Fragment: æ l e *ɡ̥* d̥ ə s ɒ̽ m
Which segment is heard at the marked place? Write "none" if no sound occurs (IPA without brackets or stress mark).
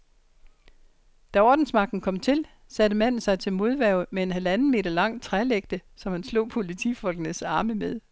ɡ̥